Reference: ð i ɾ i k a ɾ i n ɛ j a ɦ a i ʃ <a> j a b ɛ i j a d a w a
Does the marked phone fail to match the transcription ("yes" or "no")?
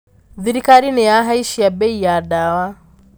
yes